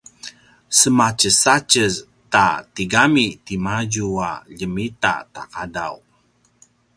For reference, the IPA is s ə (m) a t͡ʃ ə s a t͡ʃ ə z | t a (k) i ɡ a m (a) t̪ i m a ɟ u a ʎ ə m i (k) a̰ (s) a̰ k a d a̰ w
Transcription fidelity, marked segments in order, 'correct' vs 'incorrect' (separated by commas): correct, incorrect, incorrect, incorrect, incorrect